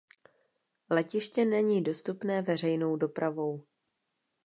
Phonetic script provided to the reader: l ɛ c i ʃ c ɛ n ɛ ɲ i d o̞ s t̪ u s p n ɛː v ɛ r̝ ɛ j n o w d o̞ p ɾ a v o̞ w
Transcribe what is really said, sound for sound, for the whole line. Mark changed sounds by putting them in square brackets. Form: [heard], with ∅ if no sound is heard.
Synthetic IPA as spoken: l ɛ c [ɪ] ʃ c ɛ n ɛ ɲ [iː] d o̞ s t̪ u [∅] p n ɛː v ɛ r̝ ɛ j n o w d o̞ p ɾ a v o̞ w